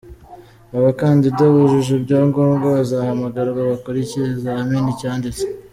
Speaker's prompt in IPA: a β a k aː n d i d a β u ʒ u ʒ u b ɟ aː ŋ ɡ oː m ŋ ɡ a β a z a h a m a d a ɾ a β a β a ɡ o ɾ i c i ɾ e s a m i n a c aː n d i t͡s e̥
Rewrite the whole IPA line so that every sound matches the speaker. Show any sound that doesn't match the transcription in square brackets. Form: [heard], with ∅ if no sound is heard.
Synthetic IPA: a β a k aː n d i d a β u ʒ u ʒ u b ɟ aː ŋ ɡ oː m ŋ ɡ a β a z a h a m a [ɡ] a ɾ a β a β a [k] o ɾ i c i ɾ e [z] a m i n [i] c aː n d i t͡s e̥